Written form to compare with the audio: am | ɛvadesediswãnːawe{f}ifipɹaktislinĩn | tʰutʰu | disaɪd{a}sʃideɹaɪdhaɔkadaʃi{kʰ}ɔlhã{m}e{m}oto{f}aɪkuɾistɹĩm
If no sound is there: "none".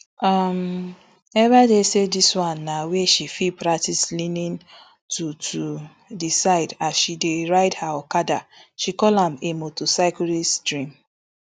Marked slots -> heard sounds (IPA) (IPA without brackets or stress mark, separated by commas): ʃ, a, k, m, m, s